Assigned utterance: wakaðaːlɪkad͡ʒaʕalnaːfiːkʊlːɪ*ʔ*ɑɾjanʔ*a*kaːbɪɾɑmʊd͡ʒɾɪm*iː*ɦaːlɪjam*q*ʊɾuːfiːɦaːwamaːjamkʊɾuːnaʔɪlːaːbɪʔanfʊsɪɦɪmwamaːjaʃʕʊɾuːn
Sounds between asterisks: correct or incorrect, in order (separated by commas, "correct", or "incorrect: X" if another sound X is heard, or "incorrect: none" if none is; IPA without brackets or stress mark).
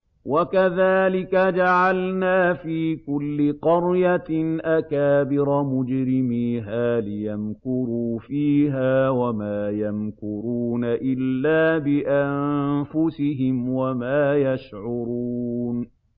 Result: incorrect: q, correct, correct, incorrect: k